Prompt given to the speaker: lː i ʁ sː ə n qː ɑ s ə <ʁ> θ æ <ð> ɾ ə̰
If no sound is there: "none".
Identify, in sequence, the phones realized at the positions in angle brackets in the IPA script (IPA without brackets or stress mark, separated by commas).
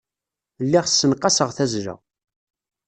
ʁ, z